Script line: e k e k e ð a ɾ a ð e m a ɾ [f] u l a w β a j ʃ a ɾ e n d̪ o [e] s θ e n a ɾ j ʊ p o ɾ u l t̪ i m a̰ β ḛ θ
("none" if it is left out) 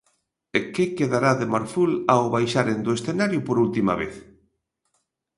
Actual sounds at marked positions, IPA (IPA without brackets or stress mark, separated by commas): f, e